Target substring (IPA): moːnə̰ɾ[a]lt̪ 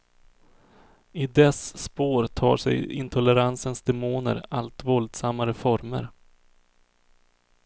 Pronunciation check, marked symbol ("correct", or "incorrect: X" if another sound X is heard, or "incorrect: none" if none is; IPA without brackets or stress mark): correct